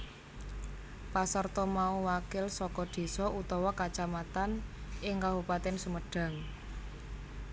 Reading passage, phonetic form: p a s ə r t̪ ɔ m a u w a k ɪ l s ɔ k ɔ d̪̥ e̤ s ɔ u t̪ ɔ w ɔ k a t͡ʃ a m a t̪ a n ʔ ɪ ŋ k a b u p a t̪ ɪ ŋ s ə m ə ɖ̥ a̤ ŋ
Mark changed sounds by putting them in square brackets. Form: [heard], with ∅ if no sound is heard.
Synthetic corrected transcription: p a s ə r t̪ ɔ m a u w a k ɪ l s ɔ k ɔ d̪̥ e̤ s ɔ u t̪ ɔ w ɔ k a t͡ʃ a m a t̪ a n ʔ ɪ ŋ k a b u p a t̪ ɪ [n] s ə m ə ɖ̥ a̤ ŋ